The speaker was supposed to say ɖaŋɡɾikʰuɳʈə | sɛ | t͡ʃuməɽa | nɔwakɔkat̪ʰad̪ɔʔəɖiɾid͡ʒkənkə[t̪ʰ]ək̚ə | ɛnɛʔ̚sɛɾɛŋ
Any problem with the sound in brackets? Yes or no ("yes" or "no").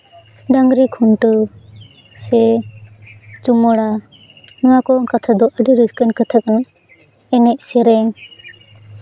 no